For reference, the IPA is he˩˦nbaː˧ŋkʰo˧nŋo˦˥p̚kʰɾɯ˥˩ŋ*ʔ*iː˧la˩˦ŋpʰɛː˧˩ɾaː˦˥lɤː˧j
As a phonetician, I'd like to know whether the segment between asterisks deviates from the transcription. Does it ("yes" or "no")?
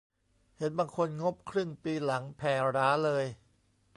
yes